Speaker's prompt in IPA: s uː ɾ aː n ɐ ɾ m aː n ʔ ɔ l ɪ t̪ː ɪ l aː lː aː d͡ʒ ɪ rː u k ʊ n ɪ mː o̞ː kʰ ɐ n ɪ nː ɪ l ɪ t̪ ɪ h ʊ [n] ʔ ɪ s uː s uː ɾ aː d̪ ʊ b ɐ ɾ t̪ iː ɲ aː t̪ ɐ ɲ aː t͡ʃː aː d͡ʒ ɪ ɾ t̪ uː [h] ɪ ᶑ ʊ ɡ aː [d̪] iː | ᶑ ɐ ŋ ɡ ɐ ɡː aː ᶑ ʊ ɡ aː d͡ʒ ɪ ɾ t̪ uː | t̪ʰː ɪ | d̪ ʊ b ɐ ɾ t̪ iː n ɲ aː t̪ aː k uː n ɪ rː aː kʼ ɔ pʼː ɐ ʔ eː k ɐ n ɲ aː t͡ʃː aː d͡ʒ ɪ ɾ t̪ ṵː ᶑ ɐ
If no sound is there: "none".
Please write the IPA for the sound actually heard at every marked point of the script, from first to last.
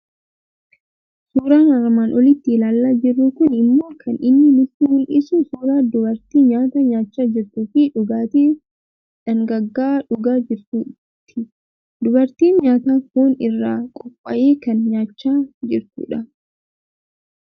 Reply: n, f, t̪

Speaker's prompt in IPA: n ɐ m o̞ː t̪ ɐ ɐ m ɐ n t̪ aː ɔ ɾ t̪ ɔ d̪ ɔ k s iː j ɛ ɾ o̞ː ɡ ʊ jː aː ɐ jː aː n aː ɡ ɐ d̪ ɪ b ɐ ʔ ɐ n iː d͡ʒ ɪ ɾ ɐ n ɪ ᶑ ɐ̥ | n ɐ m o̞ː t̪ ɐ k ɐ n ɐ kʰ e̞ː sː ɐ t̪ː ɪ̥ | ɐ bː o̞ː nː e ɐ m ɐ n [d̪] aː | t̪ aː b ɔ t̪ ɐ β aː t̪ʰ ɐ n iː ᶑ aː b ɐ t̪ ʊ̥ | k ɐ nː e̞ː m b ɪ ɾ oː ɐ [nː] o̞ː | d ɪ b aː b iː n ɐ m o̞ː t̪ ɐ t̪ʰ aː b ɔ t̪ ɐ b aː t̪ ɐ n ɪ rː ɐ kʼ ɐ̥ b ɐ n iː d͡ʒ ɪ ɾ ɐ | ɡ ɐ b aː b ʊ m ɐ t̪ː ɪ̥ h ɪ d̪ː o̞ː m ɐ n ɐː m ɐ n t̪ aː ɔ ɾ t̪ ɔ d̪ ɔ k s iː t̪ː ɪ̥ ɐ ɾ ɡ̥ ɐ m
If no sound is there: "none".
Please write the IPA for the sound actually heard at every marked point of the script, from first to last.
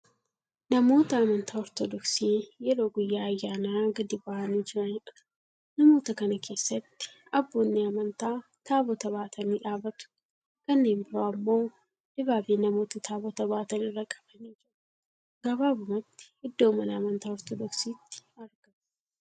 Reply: t̪, mː

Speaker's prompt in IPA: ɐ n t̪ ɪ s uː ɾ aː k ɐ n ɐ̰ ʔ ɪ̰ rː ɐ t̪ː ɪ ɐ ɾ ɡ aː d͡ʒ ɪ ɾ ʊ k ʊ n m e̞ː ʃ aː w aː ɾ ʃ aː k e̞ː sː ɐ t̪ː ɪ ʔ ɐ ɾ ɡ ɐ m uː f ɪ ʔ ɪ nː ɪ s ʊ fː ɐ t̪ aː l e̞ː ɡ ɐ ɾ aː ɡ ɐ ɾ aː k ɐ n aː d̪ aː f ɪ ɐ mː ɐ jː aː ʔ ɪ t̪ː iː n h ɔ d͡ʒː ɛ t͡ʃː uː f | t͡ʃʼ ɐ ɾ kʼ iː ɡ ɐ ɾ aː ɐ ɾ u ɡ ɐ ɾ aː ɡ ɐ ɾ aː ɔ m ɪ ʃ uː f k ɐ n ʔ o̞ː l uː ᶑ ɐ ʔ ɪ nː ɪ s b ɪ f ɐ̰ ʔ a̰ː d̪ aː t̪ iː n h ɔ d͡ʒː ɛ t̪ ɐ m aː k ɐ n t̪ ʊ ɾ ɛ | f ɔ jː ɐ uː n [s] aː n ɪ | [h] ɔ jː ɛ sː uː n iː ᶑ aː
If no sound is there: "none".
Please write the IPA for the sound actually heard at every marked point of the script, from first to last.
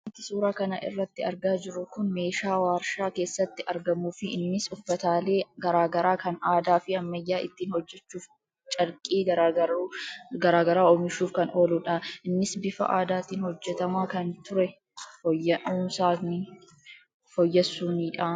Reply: s, f

